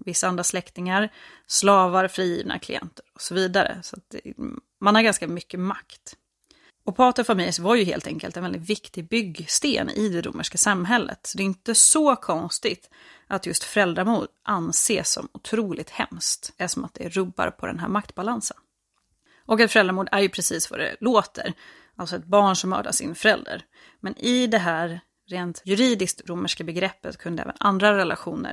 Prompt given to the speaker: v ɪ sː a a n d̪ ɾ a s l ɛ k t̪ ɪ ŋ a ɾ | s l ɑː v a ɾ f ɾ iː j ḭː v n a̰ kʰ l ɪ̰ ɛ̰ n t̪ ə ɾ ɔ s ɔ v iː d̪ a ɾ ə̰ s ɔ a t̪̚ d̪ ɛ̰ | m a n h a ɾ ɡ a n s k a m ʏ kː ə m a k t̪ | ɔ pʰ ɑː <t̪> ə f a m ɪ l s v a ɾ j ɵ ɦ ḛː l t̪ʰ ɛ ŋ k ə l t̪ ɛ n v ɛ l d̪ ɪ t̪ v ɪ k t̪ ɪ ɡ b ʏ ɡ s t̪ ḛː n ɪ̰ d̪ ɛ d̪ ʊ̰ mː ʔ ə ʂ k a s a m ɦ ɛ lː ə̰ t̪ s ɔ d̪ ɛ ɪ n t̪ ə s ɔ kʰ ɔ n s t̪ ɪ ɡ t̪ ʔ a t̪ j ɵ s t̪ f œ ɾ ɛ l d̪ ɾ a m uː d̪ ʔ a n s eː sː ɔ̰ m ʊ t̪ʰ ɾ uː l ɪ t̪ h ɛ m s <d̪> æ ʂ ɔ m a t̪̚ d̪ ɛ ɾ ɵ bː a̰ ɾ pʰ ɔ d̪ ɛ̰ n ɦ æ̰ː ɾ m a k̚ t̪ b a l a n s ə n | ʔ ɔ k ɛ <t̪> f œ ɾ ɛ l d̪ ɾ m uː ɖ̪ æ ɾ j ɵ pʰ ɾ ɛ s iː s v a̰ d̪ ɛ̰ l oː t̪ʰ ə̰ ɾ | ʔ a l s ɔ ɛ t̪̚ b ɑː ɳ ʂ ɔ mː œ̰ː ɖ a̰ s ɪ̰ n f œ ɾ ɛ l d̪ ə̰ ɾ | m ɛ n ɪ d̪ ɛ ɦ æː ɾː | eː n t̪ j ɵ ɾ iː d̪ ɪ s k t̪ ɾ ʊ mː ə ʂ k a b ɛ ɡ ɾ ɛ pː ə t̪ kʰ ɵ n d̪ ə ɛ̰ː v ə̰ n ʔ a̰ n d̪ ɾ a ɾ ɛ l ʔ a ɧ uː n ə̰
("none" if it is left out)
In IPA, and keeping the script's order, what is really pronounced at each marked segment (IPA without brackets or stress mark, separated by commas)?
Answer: t̪, t̪, t̪